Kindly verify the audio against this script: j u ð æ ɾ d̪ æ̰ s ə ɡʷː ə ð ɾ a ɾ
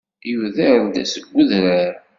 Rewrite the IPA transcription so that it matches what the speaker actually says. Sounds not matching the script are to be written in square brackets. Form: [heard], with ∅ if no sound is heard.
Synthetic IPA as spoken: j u ð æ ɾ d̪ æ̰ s ə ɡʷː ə ð ɾ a ɾ